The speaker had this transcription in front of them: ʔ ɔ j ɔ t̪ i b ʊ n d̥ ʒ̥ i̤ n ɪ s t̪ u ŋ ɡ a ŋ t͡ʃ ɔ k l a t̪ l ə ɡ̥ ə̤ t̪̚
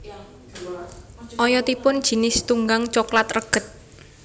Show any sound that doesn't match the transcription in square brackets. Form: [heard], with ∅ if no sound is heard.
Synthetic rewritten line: ʔ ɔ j ɔ t̪ i [p] ʊ n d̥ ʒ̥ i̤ n ɪ s t̪ u ŋ ɡ a ŋ t͡ʃ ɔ k l a t̪ [r] ə ɡ̥ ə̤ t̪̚